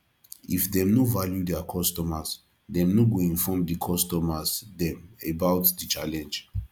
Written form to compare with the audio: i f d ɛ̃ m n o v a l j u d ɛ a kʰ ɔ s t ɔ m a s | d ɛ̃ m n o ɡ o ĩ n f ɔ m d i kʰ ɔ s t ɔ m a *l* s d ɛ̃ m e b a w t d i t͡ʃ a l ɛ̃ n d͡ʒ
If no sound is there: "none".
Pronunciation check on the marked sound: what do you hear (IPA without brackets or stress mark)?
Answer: none